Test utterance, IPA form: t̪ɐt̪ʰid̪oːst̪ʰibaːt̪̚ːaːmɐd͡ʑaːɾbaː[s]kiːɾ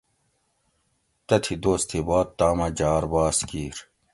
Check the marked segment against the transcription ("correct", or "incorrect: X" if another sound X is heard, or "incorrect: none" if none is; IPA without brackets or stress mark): correct